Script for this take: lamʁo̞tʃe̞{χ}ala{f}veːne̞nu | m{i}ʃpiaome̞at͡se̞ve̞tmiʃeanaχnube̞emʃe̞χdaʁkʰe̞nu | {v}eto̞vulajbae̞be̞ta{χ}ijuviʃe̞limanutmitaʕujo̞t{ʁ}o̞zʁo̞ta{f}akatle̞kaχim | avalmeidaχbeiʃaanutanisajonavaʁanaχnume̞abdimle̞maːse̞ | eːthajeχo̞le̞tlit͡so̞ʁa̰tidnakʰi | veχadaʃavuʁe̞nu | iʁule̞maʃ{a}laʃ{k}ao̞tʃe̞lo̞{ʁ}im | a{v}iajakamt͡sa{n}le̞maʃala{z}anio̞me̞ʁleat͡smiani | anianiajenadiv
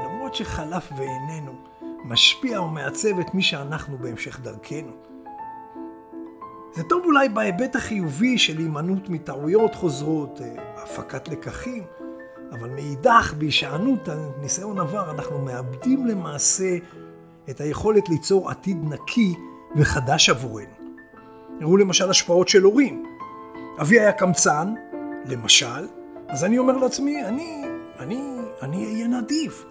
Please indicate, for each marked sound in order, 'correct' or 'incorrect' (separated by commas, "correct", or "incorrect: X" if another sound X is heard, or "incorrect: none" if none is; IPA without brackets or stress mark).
correct, correct, incorrect: a, incorrect: z, correct, incorrect: χ, correct, correct, incorrect: p, correct, correct, correct, correct